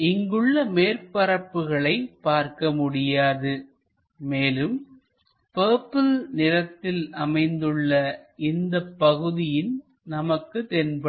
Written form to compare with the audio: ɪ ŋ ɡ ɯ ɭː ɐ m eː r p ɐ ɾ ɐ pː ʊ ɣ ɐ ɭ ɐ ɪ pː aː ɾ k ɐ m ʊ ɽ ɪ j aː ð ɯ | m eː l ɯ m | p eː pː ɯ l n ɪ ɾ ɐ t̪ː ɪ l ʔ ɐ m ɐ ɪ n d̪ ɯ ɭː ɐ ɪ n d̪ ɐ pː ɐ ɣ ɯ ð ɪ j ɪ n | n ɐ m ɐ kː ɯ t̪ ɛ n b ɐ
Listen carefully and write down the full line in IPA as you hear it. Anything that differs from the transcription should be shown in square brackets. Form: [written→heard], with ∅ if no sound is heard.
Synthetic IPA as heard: ɪ ŋ ɡ ɯ ɭː ɐ m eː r p ɐ ɾ ɐ pː [ʊ→ɯ] ɣ ɐ ɭ ɐ ɪ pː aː ɾ k ɐ m ʊ ɽ ɪ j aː ð ɯ | m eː l ɯ m | p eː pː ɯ l n ɪ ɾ ɐ t̪ː ɪ l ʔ ɐ m ɐ ɪ n d̪ ɯ ɭː ɐ ɪ n d̪ ɐ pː ɐ ɣ ɯ ð ɪ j ɪ n | n ɐ m ɐ kː ɯ t̪ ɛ n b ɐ